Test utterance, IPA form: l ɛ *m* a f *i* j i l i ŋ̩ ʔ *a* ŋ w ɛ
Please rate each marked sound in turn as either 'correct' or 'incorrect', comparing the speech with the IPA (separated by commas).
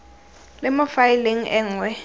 correct, incorrect, incorrect